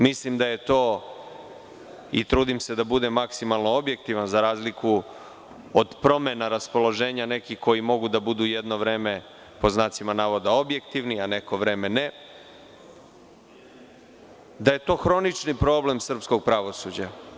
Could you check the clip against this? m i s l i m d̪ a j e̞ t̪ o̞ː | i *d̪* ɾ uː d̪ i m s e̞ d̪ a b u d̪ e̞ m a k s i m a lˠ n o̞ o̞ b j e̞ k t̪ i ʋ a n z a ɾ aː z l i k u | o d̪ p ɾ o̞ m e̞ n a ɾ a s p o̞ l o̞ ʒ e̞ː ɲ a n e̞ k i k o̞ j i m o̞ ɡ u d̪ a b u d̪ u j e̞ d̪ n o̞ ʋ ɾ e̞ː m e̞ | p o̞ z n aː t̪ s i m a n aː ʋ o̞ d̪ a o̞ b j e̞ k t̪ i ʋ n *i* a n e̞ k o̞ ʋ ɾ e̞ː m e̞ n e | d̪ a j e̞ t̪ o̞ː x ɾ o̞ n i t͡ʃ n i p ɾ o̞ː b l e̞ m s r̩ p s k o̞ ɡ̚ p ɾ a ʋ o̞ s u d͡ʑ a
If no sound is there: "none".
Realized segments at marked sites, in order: t̪, i

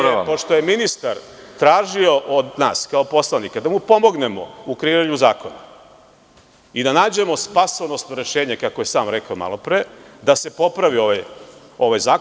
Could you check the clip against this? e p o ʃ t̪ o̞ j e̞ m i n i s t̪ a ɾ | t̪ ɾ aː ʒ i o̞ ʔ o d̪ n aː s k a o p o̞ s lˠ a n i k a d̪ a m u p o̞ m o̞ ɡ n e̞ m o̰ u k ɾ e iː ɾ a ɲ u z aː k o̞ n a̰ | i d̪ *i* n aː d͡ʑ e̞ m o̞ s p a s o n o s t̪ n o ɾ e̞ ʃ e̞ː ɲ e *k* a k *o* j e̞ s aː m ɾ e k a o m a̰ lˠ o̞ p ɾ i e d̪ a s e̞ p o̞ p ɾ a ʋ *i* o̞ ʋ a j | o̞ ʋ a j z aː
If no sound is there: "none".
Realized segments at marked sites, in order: a, k, o, i

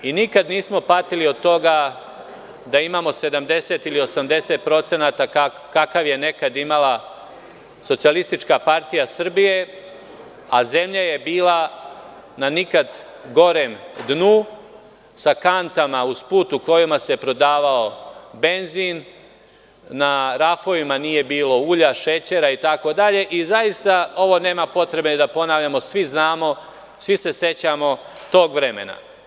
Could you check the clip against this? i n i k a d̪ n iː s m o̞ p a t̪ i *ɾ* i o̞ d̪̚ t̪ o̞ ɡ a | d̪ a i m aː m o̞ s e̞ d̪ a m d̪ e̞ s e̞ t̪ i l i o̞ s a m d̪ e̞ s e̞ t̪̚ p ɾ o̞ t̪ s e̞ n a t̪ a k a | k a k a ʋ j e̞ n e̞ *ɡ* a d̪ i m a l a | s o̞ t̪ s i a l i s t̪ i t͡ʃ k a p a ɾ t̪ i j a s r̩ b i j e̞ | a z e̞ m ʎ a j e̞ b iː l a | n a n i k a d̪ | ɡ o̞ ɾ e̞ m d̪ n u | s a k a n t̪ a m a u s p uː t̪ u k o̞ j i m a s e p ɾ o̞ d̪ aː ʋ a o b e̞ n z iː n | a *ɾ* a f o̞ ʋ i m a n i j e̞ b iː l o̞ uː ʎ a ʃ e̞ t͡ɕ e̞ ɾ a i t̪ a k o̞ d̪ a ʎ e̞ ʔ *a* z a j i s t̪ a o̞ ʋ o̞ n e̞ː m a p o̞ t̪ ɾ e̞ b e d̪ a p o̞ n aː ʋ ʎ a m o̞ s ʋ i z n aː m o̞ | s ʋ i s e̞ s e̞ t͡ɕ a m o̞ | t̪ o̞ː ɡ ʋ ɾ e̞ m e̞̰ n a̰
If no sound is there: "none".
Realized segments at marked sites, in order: l, k, ɾ, i

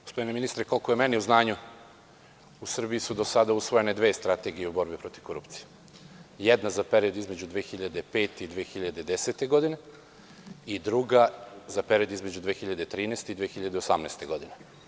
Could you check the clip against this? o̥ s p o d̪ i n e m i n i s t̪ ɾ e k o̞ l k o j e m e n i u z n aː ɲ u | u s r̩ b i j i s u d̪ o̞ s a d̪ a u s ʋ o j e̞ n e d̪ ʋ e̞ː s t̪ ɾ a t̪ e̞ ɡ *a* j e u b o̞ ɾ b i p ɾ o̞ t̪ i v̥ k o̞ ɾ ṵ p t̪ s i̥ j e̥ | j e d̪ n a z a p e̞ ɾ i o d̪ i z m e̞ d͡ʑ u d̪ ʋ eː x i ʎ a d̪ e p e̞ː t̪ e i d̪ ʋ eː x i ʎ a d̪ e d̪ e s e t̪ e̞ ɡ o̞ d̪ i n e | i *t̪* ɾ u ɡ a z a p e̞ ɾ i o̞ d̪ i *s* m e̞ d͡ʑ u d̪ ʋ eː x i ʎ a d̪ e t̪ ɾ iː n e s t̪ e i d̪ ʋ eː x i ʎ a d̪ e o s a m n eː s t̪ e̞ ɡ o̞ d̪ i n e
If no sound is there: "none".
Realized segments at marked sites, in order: i, d̪, z

